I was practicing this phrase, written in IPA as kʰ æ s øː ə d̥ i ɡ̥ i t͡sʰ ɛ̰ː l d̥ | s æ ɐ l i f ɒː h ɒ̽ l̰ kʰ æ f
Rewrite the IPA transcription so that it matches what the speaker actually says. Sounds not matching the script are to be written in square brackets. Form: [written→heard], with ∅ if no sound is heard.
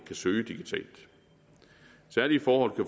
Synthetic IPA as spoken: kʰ æ s øː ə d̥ i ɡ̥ i t͡sʰ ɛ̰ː l d̥ | s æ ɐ l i f ɒː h ɒ̽ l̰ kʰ æ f